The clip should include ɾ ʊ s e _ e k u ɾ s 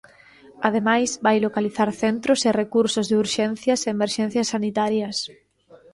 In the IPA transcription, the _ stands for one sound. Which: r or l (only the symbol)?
r